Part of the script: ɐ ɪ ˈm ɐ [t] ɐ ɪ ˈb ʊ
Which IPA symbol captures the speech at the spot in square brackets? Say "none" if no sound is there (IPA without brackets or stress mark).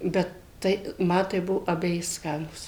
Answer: t